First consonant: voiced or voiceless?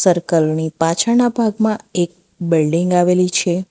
voiceless